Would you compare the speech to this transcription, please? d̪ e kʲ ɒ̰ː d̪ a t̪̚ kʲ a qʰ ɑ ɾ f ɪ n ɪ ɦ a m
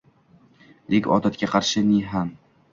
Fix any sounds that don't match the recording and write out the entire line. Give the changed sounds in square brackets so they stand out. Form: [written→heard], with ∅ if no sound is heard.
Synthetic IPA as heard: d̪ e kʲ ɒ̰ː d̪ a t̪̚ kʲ a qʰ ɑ ɾ [f→ʃ] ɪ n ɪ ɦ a m